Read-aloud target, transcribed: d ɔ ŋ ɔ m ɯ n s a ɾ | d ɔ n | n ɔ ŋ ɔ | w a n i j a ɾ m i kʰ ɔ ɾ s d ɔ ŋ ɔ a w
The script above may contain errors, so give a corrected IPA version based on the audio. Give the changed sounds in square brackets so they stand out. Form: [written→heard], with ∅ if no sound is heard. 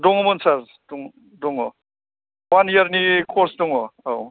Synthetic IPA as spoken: d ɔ ŋ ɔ m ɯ n s a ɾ | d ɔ [n→ŋ] | [n→d] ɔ ŋ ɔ | w a n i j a ɾ [m→n] i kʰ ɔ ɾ s d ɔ ŋ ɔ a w